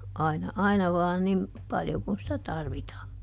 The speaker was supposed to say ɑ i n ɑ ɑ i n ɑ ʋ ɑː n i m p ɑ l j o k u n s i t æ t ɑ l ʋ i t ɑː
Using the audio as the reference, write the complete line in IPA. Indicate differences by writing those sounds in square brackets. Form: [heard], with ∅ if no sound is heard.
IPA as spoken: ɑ i n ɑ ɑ i n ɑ ʋ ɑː n i m p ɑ l j o k u n s i t æ t ɑ [r] ʋ i t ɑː